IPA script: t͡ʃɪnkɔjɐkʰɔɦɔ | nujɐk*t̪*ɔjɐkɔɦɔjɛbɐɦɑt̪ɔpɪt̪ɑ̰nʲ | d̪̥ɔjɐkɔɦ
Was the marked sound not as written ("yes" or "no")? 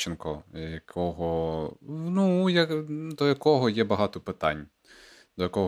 yes